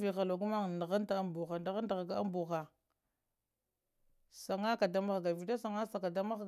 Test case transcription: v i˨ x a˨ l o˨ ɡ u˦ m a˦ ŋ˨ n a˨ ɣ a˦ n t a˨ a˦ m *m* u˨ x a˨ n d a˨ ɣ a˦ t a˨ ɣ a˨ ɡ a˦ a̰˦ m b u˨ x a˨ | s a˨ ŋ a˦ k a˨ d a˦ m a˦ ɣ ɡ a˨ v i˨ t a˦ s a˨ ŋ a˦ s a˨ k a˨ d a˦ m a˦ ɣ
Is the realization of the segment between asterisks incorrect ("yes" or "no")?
yes